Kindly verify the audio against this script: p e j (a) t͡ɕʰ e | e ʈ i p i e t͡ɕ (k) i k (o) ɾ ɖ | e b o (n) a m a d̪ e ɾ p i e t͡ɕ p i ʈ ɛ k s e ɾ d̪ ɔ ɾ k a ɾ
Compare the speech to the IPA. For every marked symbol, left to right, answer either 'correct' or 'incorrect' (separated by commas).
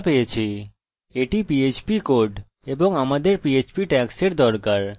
incorrect, incorrect, correct, incorrect